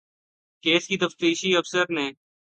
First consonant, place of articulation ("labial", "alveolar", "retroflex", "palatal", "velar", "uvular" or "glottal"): velar